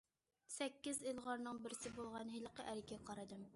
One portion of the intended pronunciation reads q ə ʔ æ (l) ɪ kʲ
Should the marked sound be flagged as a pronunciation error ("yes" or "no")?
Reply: yes